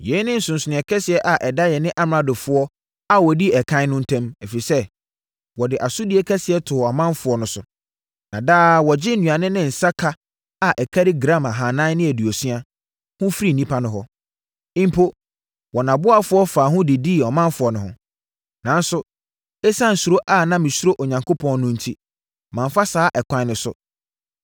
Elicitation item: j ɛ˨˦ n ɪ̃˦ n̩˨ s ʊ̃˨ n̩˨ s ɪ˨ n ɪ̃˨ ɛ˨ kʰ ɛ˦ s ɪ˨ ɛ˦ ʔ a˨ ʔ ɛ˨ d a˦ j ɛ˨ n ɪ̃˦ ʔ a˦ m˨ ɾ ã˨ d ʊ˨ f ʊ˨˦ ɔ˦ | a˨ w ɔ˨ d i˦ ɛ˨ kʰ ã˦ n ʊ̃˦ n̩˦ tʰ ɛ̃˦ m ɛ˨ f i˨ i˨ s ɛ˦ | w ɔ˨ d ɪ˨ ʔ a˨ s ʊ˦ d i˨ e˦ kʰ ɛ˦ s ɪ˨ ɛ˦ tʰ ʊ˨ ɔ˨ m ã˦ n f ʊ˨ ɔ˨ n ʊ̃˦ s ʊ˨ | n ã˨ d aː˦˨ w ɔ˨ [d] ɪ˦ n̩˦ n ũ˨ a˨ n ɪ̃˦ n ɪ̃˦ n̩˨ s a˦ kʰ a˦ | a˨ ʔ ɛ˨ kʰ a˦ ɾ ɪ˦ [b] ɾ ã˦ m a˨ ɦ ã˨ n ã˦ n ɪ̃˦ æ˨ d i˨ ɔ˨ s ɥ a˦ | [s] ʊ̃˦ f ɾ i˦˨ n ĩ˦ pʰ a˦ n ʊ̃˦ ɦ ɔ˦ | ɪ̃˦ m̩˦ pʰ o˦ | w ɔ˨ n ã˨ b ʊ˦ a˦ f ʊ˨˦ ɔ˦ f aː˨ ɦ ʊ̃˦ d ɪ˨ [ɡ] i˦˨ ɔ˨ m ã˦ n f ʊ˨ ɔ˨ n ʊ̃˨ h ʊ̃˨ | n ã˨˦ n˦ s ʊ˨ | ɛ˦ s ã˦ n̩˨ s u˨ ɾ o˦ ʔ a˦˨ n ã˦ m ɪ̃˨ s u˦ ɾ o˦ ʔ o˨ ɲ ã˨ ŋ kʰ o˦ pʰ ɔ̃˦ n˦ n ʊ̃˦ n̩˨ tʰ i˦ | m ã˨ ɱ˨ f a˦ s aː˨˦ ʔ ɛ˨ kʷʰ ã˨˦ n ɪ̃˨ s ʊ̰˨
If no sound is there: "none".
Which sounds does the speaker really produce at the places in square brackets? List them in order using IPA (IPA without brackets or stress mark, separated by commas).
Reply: d͡ʑ, ɡ, h, d